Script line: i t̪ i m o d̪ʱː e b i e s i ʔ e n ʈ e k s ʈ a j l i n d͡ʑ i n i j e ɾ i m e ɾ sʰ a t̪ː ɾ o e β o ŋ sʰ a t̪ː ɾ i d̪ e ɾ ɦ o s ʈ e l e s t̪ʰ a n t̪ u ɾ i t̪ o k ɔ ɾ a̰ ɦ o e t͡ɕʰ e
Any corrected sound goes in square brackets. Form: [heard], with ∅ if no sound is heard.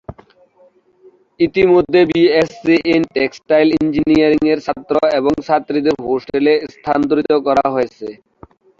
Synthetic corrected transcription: i t̪ i m o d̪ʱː e b i e s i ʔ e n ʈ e k s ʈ a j l i n d͡ʑ i n i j [a] ɾ i [ŋ] e ɾ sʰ a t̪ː ɾ o e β o ŋ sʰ a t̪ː ɾ i d̪ e ɾ ɦ o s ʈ e l e s t̪ʰ a n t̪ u ɾ i t̪ o k ɔ ɾ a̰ ɦ o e t͡ɕʰ e